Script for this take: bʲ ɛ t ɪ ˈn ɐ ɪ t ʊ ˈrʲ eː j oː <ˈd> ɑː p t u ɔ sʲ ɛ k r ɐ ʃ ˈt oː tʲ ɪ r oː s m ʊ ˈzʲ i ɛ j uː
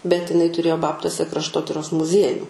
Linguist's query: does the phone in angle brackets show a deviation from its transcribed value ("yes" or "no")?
yes